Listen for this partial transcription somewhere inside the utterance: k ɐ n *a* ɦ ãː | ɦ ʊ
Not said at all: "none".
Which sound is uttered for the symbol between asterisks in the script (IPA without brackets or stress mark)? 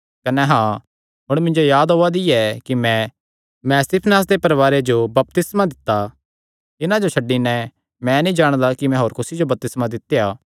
ɛ